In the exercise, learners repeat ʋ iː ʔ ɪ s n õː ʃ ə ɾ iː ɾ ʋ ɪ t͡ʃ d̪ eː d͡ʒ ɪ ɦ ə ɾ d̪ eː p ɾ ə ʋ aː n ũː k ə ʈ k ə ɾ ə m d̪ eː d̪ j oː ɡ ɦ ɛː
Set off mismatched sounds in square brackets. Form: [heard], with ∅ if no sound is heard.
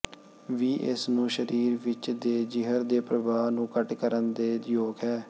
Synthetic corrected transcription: ʋ iː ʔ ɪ s n [ũː] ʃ ə ɾ iː ɾ ʋ ɪ t͡ʃ d̪ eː d͡ʒ ɪ ɦ ə ɾ d̪ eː p ɾ ə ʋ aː n ũː k ə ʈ k ə ɾ ə [n] d̪ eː d̪ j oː ɡ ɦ ɛː